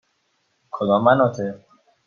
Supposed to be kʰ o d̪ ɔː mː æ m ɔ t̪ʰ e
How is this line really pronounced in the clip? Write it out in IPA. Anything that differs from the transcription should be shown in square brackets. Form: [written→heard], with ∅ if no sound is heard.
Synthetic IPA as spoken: kʰ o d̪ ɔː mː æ [m→n] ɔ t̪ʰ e